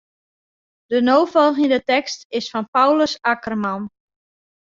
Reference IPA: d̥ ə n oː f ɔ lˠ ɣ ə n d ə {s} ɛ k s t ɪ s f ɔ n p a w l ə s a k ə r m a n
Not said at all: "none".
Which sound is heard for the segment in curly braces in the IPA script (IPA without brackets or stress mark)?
t